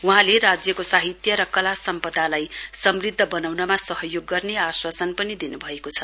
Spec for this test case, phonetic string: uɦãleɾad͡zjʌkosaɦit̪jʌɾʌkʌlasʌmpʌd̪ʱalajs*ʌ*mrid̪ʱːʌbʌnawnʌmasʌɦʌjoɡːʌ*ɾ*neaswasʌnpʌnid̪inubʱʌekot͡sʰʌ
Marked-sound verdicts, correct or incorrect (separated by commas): correct, incorrect